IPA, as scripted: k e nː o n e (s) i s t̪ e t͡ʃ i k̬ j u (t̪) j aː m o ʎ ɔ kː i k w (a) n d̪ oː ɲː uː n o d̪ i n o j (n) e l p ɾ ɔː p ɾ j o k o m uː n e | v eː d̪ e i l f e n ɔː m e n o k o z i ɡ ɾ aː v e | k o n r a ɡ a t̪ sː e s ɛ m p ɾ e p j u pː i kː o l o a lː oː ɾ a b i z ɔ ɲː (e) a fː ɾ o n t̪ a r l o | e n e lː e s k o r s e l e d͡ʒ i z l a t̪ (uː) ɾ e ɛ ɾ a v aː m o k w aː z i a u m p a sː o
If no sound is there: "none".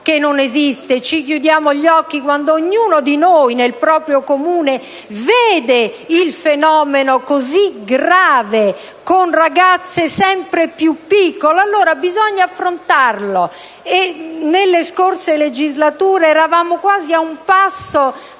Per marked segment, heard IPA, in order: z, d̪, a, n, a, uː

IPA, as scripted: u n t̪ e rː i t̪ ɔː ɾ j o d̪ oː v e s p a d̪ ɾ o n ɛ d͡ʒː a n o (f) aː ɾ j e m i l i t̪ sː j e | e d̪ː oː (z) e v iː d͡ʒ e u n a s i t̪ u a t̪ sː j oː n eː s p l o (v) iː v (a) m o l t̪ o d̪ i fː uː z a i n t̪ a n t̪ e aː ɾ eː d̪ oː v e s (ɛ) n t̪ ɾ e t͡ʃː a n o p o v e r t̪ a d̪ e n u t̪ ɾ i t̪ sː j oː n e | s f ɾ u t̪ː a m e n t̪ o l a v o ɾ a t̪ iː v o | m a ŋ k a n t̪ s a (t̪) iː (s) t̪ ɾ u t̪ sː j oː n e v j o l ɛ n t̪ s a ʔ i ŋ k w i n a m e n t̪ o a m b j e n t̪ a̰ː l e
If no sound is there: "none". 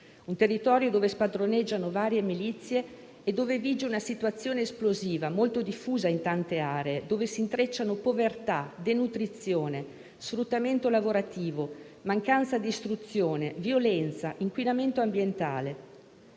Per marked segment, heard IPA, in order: v, v, z, a, i, d̪, s

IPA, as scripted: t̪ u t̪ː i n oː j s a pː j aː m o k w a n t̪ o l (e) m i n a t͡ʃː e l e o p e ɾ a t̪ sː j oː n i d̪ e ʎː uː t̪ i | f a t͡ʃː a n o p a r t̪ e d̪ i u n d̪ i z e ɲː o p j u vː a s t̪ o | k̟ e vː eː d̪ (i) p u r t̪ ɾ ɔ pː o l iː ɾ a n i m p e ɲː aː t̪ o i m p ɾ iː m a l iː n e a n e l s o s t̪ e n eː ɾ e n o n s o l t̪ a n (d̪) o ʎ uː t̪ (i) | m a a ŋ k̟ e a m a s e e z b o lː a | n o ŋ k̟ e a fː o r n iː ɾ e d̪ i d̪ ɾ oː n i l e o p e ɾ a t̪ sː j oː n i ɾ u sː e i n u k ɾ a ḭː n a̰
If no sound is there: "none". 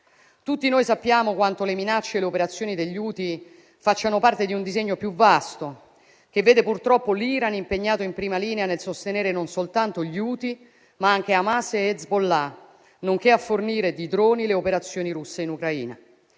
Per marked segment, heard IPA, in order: e, e, t̪, i

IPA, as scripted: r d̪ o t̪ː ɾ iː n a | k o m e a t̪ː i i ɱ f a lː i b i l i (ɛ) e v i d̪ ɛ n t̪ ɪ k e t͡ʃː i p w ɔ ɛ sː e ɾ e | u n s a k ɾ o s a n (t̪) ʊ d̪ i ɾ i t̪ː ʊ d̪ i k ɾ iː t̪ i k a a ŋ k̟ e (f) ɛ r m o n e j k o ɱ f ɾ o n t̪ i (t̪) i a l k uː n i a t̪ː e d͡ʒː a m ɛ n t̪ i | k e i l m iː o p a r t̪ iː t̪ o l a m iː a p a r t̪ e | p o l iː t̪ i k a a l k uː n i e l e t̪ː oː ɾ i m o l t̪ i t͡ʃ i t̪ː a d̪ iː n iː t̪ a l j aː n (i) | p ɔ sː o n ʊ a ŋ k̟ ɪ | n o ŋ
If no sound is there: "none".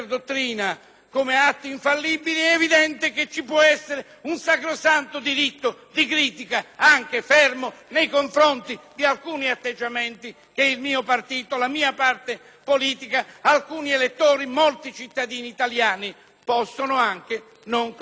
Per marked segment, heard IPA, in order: ɛ, t̪, f, d̪, i

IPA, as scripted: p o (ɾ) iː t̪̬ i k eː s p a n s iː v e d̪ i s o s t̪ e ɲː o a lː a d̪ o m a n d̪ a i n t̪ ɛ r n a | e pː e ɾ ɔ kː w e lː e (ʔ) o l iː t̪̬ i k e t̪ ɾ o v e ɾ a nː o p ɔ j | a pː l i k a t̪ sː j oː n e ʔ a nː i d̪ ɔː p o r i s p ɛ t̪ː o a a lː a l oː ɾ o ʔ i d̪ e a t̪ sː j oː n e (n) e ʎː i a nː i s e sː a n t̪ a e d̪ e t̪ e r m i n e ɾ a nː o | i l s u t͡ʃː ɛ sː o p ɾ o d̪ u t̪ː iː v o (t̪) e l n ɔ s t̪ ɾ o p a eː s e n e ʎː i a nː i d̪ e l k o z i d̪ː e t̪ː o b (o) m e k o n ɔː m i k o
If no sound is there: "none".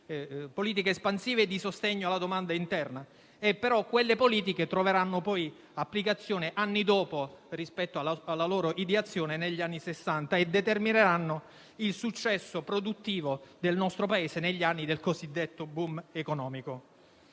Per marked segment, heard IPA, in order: l, p, n, d̪, u

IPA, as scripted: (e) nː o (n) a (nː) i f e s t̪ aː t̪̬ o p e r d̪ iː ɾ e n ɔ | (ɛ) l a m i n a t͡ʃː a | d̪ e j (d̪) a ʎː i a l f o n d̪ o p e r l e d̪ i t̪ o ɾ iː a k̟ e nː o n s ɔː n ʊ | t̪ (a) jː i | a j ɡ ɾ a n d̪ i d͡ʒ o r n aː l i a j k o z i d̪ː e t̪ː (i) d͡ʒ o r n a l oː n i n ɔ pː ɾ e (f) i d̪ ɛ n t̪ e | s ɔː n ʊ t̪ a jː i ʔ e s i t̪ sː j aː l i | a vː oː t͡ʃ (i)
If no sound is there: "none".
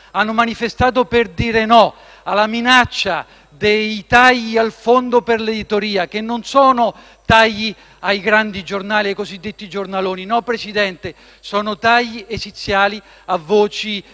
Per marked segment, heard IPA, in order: a, m, n, a, t̪, a, i, s, i

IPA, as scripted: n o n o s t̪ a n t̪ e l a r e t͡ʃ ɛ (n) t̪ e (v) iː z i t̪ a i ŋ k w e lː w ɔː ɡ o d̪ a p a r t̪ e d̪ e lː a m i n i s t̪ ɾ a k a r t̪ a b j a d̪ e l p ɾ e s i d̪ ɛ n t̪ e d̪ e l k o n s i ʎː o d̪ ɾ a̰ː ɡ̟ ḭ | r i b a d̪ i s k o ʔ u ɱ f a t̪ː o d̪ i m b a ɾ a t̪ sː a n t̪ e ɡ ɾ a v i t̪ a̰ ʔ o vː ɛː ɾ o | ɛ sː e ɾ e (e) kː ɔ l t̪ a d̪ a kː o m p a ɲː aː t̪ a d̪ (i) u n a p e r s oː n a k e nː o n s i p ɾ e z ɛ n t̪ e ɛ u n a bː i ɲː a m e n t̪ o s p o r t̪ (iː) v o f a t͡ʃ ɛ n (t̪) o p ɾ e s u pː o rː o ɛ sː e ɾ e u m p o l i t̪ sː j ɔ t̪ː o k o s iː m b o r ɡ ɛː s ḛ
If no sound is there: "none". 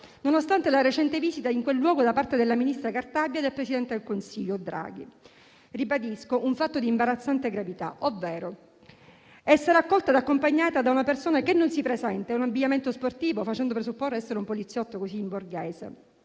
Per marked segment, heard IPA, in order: n, v, a, a, iː, d̪

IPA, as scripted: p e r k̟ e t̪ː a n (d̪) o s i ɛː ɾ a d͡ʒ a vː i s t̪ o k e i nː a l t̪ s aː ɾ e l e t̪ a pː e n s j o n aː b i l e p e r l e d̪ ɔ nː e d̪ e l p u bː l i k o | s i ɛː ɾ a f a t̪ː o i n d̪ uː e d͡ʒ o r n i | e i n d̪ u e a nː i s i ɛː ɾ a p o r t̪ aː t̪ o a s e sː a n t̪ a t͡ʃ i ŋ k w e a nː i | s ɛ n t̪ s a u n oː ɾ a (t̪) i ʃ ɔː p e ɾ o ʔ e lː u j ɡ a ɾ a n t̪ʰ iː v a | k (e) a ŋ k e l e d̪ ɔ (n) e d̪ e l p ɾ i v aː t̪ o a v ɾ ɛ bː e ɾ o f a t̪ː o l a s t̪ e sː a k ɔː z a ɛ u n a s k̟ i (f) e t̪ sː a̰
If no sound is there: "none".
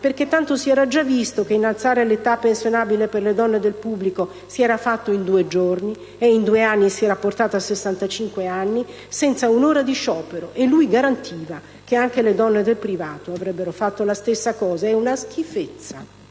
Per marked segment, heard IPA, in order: t̪, d̪, e, nː, f

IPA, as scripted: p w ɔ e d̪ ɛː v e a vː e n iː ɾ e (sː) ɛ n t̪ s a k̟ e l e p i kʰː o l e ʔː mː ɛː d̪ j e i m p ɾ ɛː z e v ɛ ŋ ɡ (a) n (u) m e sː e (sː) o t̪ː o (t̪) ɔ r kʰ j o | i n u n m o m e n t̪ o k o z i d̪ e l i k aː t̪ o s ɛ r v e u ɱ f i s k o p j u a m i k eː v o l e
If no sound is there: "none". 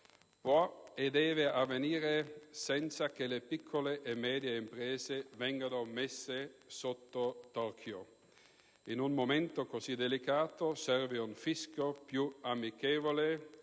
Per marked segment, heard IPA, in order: s, a, o, s, t̪

